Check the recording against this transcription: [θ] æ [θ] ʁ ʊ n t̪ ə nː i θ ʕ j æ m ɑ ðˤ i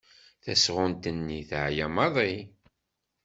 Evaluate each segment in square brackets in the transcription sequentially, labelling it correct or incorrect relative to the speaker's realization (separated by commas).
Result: correct, incorrect